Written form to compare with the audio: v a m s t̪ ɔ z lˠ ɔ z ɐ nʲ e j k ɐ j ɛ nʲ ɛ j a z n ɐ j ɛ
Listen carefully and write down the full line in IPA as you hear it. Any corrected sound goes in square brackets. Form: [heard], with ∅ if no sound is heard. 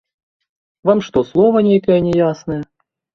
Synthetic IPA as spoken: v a m [ʂ] t̪ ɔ [s] lˠ ɔ [v] ɐ nʲ e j k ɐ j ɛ nʲ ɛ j a [s] n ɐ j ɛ